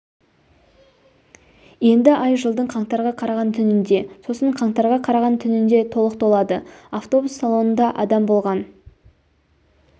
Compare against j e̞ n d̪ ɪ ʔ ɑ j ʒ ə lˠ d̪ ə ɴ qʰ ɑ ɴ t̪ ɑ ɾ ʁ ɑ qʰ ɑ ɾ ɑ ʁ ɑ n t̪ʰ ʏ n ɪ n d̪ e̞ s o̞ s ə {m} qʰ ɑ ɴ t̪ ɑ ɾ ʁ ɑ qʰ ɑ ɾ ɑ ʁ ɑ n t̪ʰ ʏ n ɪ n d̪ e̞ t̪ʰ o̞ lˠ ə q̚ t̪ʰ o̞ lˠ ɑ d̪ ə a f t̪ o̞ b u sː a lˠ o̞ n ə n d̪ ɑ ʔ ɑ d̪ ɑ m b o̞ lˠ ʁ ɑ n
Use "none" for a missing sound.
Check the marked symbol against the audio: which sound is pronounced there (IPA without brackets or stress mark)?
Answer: ɴ